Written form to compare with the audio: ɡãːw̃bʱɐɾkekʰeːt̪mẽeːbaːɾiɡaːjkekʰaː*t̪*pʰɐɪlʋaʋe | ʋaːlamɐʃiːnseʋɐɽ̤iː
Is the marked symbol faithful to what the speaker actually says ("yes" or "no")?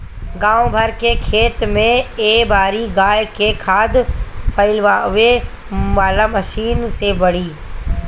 no